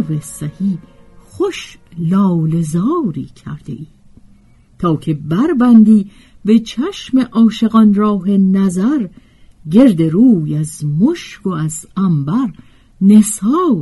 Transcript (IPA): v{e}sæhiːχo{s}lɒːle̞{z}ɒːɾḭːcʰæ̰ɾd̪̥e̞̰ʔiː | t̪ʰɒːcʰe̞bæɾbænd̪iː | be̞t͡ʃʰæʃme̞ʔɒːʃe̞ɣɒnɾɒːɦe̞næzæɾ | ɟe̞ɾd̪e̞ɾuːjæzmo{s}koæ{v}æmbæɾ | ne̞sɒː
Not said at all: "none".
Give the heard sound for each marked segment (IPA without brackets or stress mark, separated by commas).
e, ʃ, z, ʃ, z